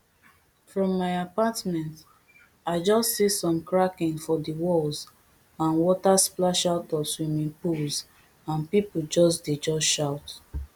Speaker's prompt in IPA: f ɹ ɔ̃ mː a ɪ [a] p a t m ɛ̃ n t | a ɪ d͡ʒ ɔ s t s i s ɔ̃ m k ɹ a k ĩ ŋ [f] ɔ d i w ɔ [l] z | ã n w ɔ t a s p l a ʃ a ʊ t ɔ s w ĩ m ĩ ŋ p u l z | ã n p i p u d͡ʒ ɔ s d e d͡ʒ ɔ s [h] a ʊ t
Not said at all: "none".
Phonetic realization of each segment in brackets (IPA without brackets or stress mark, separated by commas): a, f, l, ʃ